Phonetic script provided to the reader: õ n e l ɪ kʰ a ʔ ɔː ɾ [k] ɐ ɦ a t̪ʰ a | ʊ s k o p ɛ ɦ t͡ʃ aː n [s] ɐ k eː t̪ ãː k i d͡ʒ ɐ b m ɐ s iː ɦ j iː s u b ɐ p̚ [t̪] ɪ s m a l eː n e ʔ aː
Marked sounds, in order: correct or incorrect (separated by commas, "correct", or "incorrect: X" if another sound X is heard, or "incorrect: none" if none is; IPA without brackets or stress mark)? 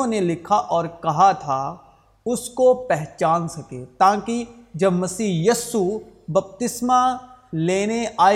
correct, correct, correct